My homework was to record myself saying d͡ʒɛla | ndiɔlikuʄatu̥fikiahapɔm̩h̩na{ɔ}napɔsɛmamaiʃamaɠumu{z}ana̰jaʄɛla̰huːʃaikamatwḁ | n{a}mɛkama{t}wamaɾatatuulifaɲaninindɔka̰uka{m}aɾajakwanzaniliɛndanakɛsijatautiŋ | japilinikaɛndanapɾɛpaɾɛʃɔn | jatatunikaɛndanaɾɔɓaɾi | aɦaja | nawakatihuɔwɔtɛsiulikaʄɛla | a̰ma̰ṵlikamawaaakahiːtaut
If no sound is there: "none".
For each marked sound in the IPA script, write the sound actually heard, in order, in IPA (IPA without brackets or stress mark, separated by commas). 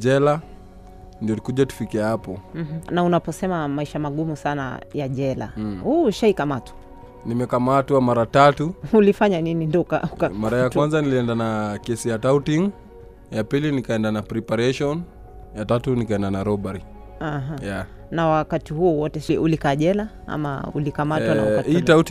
u, s, i, t, m